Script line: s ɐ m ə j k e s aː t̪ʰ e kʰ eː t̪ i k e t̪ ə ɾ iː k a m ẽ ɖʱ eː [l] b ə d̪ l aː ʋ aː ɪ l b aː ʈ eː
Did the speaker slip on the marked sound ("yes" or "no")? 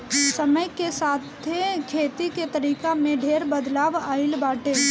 yes